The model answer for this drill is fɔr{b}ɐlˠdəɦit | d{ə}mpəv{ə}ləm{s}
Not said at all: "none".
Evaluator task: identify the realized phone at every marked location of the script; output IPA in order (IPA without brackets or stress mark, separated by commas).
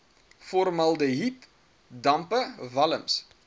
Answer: m, ɐ, ɐ, s